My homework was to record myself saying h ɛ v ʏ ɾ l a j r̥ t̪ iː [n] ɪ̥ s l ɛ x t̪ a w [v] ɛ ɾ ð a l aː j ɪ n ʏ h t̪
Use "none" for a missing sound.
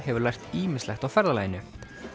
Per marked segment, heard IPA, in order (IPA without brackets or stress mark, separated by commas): m, f